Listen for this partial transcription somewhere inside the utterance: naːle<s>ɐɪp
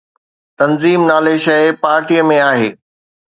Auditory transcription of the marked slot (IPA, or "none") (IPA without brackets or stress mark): ʃ